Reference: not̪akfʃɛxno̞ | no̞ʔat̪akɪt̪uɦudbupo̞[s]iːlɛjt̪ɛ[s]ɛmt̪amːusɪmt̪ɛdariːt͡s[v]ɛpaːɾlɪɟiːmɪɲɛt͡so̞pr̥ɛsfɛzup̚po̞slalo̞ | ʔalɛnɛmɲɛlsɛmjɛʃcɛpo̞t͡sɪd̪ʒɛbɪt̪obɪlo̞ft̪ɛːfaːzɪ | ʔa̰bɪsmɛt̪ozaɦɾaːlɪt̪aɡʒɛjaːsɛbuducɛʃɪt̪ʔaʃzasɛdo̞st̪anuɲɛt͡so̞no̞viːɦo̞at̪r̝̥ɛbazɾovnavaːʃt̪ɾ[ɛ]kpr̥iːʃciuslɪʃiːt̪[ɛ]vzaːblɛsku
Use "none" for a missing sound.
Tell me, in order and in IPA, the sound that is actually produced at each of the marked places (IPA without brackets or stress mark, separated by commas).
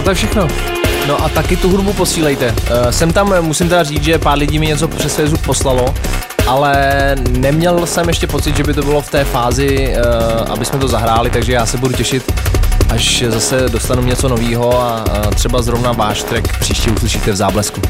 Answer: s, s, ʒ, ɛ, ɛ